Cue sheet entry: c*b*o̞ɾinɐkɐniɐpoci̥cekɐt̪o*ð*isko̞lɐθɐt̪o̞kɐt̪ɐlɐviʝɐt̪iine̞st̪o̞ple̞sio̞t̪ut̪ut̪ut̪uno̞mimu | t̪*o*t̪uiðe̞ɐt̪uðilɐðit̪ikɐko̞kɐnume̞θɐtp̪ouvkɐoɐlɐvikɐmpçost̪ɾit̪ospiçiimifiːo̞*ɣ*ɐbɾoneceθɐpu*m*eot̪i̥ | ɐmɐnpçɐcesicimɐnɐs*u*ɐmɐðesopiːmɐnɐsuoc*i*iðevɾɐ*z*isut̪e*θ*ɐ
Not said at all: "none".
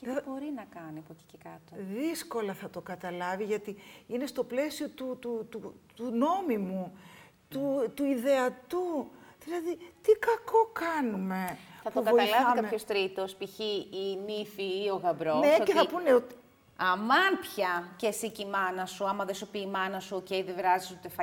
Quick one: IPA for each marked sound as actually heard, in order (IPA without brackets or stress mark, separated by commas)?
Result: b, ð, u, ɣ, n, u, e, z, f